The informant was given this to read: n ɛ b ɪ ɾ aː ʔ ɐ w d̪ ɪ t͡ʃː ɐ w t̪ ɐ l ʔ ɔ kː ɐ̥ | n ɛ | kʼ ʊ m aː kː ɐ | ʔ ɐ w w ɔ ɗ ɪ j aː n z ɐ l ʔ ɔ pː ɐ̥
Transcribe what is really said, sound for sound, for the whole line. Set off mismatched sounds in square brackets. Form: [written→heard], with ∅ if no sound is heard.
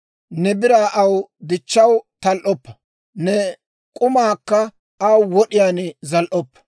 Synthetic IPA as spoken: n ɛ b ɪ ɾ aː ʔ ɐ w d̪ ɪ t͡ʃː ɐ w t̪ ɐ l ʔ ɔ [kː→pː] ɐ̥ | n ɛ | kʼ ʊ m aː kː ɐ | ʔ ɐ w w ɔ ɗ ɪ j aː n z ɐ l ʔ ɔ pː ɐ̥